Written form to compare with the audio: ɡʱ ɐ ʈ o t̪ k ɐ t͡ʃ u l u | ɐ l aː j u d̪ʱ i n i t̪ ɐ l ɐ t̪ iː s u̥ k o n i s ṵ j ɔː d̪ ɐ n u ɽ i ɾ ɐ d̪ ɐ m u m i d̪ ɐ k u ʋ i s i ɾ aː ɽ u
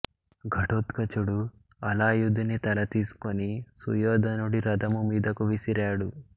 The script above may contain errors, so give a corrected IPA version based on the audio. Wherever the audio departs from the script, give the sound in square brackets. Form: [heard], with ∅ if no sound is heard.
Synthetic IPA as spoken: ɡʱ ɐ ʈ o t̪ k ɐ t͡ʃ u [ɽ] u | ɐ l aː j u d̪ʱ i n i t̪ ɐ l ɐ t̪ iː s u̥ k o n i s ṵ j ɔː d̪ ɐ n u ɽ i ɾ ɐ d̪ ɐ m u m [iː] d̪ ɐ k u ʋ i s i ɾ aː ɽ u